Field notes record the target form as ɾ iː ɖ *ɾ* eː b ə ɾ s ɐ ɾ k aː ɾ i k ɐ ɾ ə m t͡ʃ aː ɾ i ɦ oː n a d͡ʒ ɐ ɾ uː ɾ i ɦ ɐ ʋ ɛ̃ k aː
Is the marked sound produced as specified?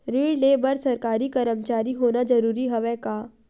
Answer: no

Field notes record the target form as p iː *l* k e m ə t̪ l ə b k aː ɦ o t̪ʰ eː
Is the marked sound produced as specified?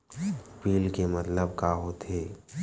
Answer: yes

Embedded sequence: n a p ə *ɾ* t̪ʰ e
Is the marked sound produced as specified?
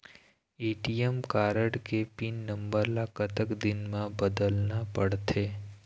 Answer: no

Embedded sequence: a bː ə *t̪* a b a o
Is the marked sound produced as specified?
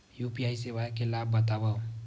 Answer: yes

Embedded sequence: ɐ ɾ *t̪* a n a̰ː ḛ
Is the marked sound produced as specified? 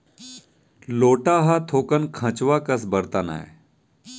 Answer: yes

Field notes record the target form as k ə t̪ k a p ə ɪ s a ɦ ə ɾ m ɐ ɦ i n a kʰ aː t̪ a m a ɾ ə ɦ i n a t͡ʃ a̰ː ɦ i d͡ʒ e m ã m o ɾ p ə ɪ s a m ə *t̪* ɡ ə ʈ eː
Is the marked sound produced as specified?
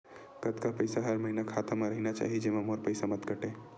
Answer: yes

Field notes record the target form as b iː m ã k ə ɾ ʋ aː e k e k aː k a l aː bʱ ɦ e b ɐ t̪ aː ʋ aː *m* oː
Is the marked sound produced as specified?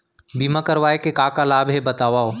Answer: no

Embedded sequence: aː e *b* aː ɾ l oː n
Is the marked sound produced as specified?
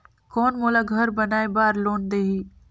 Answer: yes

